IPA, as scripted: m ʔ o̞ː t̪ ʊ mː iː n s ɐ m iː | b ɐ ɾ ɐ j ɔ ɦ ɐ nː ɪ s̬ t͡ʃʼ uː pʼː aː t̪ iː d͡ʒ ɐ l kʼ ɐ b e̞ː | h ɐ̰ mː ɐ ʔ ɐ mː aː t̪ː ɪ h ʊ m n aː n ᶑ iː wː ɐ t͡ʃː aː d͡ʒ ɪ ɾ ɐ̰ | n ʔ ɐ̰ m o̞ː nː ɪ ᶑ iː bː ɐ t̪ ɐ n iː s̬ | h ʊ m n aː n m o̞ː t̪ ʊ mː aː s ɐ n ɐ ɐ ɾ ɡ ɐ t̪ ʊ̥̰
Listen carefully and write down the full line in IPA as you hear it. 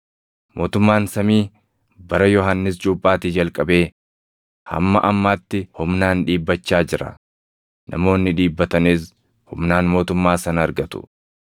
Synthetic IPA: m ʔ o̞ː t̪ ʊ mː aː n s ɐ m iː | b ɐ ɾ ɐ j ɔ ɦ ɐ nː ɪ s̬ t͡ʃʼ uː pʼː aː t̪ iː d͡ʒ ɐ l kʼ ɐ b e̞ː | h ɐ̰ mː ɐ ʔ ɐ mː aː t̪ː ɪ h ʊ m n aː n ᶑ iː bː ɐ t͡ʃː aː d͡ʒ ɪ ɾ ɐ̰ | n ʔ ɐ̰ m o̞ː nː ɪ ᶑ iː bː ɐ t̪ ɐ n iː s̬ | h ʊ m n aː n m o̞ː t̪ ʊ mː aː s ɐ n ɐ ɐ ɾ ɡ ɐ t̪ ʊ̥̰